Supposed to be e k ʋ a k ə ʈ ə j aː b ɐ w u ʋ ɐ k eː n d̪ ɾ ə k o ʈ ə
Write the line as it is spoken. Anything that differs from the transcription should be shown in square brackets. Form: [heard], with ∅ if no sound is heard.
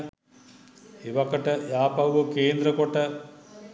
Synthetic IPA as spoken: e [∅] ʋ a k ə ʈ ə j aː [p] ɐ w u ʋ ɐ k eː n d̪ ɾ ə k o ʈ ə